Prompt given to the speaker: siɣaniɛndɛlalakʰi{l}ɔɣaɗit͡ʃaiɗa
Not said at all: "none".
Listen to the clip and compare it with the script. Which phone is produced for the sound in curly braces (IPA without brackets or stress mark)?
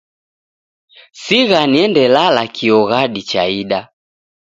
none